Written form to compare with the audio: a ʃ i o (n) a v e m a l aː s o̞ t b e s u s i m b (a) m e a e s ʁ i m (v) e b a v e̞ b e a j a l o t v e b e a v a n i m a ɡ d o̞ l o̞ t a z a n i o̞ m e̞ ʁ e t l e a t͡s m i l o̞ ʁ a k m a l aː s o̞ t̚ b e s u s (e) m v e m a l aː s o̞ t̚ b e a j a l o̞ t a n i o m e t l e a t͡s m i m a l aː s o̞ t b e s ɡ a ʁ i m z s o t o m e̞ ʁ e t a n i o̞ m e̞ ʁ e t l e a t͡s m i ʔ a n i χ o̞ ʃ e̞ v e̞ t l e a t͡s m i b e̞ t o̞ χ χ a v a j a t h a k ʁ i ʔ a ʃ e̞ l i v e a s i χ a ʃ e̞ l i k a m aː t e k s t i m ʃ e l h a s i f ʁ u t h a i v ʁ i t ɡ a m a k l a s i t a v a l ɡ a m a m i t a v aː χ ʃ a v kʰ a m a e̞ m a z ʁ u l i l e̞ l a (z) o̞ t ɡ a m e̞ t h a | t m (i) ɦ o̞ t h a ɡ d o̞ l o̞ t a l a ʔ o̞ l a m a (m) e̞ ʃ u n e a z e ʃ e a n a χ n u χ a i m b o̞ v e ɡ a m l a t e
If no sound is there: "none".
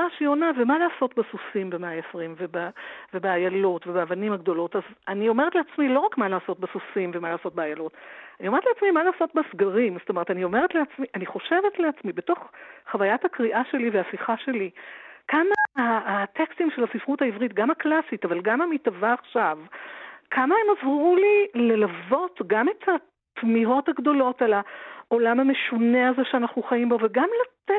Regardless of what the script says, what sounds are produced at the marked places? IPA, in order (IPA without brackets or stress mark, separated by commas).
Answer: n, e, v, i, v, i, m